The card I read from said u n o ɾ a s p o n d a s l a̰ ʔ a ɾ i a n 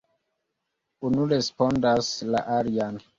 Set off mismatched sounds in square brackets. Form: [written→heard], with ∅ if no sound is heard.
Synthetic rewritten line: u n [o→u] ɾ [a→e] s p o n d a s l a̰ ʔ a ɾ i a n